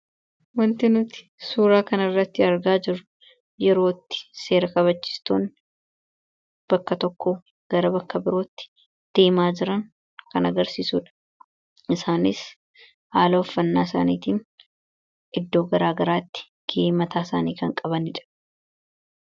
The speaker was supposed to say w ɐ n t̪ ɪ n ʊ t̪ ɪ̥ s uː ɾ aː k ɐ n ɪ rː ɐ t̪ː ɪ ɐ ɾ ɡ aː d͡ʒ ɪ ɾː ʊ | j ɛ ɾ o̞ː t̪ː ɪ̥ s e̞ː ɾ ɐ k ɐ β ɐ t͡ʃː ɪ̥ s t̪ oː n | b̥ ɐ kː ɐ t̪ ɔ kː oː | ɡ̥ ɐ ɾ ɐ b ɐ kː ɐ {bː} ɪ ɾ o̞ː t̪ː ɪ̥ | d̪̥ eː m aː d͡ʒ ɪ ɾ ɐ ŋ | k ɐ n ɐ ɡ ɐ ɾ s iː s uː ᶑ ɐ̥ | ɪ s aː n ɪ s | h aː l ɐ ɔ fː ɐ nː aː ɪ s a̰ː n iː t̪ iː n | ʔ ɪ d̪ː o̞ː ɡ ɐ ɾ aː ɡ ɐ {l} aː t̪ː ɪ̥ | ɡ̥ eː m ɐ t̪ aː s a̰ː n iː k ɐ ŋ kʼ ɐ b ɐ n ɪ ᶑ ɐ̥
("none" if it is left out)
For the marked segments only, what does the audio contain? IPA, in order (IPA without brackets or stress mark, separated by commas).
b, ɾ